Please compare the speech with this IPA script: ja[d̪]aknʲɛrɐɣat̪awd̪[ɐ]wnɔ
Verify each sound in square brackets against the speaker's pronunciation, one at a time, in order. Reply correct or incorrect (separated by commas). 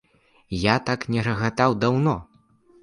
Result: incorrect, incorrect